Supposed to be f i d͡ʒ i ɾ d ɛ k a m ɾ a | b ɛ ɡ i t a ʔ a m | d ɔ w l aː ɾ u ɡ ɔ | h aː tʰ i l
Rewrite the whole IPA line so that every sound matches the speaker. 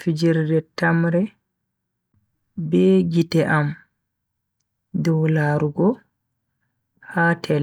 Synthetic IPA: f i d͡ʒ i ɾ d ɛ t a m ɾ ɛ | b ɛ ɡ i t ɛ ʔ a m | d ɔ w l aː ɾ u ɡ ɔ | h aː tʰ ɛ l